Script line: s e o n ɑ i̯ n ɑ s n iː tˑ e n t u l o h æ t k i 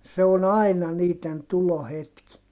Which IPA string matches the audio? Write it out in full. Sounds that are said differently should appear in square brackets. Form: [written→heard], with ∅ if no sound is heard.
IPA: s e o n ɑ i̯ n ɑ [s→∅] n iː tˑ e n t u l o h [æ→e] t k i